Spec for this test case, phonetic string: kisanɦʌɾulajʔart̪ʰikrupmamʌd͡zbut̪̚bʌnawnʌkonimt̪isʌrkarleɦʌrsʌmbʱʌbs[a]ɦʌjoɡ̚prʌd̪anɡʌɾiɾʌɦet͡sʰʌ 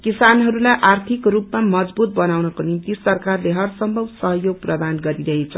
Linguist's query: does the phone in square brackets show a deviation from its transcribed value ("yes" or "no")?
yes